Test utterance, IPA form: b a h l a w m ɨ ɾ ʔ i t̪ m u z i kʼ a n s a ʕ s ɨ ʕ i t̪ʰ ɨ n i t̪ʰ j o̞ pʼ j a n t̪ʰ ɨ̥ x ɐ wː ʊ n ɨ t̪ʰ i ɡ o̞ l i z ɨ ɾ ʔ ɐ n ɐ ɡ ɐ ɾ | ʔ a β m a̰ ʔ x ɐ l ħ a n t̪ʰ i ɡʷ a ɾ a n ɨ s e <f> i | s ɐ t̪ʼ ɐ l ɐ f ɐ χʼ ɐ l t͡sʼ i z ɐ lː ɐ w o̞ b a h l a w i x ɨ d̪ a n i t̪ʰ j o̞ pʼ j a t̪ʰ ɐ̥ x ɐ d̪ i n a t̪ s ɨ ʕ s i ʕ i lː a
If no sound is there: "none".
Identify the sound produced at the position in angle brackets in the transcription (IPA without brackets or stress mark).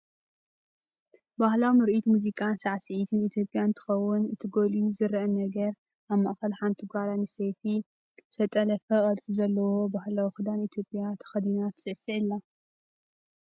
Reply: f